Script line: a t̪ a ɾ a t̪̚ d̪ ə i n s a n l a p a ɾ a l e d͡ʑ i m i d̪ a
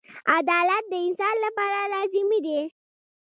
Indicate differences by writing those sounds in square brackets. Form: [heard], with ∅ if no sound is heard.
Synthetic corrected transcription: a [d̪] a [l] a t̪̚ d̪ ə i n s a n l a p a ɾ a l [a] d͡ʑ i m i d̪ [e]